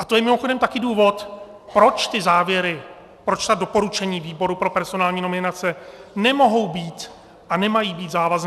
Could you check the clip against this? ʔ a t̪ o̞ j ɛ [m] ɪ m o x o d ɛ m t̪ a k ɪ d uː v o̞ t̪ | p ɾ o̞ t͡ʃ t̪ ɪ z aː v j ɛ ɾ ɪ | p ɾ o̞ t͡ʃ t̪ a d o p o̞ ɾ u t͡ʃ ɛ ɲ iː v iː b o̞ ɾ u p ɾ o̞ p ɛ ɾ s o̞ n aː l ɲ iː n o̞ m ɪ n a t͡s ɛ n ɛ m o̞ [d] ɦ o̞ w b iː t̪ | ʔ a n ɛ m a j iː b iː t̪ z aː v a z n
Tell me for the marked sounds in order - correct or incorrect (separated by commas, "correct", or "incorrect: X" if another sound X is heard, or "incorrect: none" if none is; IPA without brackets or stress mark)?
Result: correct, incorrect: none